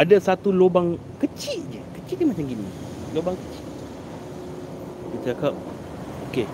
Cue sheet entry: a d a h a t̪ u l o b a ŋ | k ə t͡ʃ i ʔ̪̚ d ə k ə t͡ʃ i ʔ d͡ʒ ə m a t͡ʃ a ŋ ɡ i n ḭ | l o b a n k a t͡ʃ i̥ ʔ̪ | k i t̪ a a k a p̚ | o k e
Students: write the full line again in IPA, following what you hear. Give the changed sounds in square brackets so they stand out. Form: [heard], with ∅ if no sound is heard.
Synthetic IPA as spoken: a d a [s] a t̪ u l o b a ŋ | k ə t͡ʃ i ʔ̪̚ [d͡ʒ] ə k ə t͡ʃ i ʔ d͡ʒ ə m a t͡ʃ a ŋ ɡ i n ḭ | l o b a [ŋ] k [ə] t͡ʃ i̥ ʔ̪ | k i t̪ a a k a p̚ | o k e